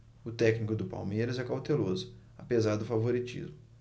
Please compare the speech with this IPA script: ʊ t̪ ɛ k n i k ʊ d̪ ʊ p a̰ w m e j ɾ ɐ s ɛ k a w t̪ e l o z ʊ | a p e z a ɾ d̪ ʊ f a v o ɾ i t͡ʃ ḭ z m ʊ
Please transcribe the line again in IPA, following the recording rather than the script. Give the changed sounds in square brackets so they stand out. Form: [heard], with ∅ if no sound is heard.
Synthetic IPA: ʊ t̪ ɛ k n i k ʊ d̪ ʊ p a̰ w m e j ɾ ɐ [z] ɛ k a w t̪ e l o z ʊ | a p e z a ɾ d̪ ʊ f a v o ɾ i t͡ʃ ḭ z m ʊ